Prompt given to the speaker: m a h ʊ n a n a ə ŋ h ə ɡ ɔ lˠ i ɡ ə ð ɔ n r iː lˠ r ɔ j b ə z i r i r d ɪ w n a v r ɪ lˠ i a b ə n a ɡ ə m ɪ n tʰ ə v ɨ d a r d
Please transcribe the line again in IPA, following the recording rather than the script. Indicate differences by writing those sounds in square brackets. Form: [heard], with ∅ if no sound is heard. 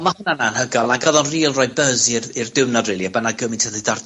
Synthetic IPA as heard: m a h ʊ n a n a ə [n] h ə ɡ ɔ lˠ [a] ɡ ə ð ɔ n r iː lˠ r ɔ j b ə z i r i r d ɪ w n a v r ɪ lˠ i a b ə n a ɡ ə m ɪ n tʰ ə [ð] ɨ d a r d